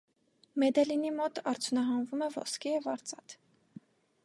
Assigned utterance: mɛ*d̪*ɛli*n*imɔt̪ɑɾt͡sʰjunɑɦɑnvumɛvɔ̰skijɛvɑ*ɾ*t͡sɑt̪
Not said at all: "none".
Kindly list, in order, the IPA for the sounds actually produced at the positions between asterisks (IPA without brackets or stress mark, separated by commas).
d̪, n, ɾ